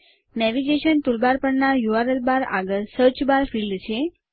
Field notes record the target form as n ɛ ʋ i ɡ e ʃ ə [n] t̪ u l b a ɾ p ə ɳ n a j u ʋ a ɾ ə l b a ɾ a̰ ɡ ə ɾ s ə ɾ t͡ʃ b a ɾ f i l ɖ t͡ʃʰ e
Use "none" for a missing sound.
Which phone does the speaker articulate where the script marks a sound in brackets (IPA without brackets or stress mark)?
n